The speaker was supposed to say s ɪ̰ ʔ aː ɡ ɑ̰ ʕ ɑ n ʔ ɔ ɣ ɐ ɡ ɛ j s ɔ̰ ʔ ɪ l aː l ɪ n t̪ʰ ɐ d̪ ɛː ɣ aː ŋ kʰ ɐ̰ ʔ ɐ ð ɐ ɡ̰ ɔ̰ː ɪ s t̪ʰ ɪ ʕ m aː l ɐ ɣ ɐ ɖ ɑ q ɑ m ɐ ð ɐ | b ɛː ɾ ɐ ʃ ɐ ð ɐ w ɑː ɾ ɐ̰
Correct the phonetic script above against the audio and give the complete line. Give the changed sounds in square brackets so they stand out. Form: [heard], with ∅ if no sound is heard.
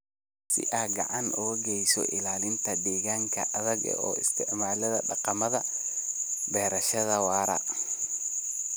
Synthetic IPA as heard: s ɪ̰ ʔ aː ɡ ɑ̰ ʕ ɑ n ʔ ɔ ɣ ɐ ɡ ɛ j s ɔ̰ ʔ ɪ l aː l ɪ n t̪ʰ ɐ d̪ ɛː ɣ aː ŋ kʰ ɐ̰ ʔ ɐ ð ɐ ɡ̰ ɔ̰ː ɪ s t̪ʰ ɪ ʕ m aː l ɐ [ð] ɐ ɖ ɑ q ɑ m ɐ ð ɐ | b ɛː ɾ ɐ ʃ ɐ ð ɐ w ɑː ɾ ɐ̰